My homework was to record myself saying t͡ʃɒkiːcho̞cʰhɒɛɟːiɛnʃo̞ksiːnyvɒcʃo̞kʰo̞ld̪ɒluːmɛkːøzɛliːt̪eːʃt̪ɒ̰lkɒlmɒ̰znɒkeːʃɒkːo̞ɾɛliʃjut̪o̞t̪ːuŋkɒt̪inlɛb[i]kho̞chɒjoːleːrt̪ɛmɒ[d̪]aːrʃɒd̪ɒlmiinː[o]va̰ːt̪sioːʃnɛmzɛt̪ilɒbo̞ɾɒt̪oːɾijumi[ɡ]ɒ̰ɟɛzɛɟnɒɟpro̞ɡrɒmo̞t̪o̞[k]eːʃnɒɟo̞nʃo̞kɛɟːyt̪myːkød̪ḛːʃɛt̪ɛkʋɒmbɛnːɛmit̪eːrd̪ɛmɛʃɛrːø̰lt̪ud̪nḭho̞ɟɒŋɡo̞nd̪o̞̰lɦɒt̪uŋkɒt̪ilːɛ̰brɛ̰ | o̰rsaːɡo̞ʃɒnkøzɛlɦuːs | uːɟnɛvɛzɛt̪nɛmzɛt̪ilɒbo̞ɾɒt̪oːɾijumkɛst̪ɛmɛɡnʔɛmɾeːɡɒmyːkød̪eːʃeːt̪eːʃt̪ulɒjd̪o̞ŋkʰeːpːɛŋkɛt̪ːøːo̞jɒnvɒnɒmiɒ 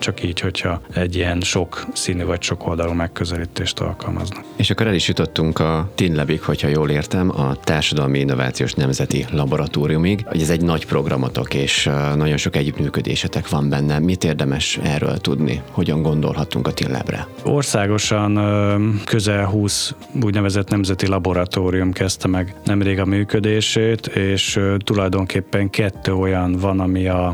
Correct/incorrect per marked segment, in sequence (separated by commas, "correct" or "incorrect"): correct, incorrect, correct, correct, correct